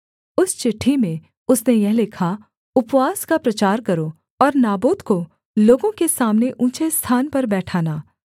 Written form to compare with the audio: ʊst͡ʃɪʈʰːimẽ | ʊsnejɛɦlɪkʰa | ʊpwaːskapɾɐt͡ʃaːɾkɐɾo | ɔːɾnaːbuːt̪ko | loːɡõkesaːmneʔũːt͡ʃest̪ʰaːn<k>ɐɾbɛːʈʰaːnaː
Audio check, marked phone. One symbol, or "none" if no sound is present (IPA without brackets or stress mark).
p